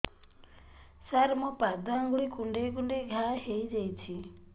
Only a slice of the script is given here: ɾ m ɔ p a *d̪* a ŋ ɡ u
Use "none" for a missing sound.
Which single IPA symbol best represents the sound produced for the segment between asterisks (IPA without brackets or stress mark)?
d̪